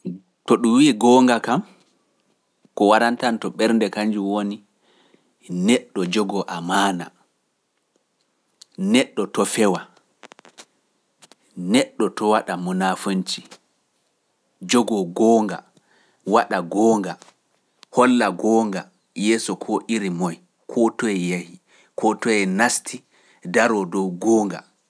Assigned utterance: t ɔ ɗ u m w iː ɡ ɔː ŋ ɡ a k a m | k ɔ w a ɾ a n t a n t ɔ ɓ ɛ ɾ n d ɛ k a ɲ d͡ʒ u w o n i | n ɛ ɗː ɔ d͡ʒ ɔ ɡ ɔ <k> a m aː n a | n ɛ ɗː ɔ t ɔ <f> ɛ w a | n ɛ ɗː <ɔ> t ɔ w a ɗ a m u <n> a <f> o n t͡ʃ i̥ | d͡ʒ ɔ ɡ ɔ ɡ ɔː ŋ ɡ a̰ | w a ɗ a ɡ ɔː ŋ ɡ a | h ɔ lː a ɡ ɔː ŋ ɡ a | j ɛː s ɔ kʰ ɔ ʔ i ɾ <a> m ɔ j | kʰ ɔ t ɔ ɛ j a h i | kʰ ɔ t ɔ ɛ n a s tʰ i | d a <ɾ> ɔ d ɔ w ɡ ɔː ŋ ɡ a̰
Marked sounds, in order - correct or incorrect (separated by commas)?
incorrect, correct, correct, correct, correct, incorrect, correct